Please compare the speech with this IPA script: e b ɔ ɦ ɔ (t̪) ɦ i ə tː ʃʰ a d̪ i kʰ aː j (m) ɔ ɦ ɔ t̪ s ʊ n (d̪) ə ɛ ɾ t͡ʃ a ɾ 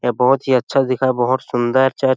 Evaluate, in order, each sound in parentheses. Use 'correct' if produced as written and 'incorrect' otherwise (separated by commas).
correct, incorrect, correct